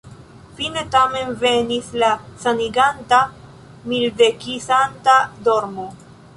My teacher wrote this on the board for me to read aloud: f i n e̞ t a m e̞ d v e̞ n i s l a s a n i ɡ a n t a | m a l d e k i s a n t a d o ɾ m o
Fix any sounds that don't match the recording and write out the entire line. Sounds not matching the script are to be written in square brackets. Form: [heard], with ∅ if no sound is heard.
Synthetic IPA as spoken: f i n e̞ t a m e̞ [n] v e̞ n i s l a s a n i ɡ a n t a | m [i] l d e k i s a n t a d o ɾ m o